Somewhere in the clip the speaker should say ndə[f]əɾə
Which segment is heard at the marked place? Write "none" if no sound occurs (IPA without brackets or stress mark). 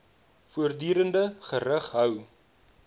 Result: χ